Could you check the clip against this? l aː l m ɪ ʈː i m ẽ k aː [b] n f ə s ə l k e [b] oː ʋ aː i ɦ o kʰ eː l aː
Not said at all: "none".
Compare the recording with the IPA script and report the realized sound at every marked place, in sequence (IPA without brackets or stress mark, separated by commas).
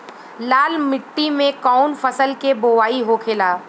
none, b